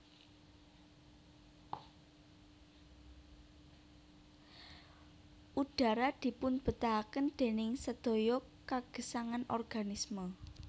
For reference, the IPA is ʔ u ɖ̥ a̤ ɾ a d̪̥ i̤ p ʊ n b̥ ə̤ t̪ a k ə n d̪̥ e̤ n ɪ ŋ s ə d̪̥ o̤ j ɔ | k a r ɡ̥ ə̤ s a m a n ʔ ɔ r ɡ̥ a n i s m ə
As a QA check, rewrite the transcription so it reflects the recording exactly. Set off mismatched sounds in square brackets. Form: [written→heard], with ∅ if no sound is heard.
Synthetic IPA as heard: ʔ u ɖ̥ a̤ ɾ a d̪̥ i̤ p ʊ n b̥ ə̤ t̪ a k ə n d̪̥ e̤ n ɪ ŋ s ə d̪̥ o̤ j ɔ | k a [r→∅] ɡ̥ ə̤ s a [m→ŋ] a n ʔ ɔ r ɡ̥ a n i s m ə